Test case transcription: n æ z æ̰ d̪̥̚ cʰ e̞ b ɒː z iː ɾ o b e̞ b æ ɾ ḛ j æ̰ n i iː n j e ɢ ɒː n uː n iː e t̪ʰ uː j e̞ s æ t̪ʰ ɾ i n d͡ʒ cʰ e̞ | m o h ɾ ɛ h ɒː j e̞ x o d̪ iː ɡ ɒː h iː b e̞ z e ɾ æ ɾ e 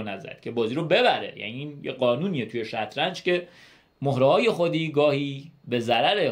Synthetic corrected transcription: n æ z æ̰ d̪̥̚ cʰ e̞ b ɒː z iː ɾ o b e̞ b æ ɾ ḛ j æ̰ n i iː n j e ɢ ɒː n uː n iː e t̪ʰ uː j e̞ ʃ æ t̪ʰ ɾ æ n d͡ʒ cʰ e̞ | m o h ɾ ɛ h ɒː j e̞ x o d̪ iː ɡ ɒː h iː b e̞ z æ ɾ æ ɾ e